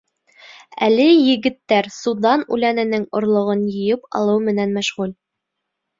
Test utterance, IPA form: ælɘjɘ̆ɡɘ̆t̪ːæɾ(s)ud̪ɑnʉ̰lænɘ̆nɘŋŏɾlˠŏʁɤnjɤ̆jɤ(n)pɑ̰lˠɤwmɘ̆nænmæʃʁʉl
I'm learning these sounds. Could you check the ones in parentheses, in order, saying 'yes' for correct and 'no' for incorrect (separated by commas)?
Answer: yes, no